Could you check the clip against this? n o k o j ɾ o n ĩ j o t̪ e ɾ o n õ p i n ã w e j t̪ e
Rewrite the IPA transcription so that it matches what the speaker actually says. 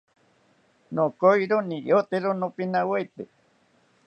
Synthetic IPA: n o k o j ɾ o n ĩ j o t̪ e ɾ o n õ p i n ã w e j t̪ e